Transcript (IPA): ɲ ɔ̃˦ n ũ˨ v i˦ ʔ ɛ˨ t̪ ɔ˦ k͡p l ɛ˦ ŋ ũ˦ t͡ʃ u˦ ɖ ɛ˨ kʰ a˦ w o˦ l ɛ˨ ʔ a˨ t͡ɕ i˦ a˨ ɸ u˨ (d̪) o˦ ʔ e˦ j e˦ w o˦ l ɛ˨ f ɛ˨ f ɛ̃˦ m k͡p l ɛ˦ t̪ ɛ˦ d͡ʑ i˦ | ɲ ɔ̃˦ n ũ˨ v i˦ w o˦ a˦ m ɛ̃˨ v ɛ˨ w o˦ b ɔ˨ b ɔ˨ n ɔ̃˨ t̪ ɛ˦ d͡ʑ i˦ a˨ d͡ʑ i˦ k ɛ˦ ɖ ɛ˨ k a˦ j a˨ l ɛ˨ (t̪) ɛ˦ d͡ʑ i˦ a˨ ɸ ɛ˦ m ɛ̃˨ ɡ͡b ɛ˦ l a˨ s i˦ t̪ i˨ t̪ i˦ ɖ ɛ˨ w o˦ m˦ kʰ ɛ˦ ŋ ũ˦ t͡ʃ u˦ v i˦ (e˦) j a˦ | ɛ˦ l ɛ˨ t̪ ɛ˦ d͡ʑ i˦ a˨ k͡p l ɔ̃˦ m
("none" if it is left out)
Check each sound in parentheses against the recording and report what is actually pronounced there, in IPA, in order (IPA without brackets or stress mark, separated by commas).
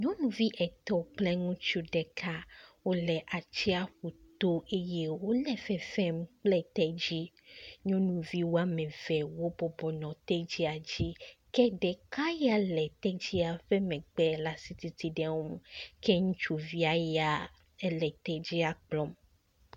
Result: t̪, t̪, a˦